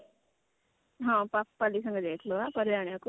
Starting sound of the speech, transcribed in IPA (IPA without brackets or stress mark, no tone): ɦ